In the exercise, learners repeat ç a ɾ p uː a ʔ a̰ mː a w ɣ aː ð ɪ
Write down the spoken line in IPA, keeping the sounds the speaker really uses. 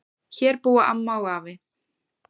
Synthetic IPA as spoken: ç ɛ ɾ p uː a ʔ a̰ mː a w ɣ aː v ɪ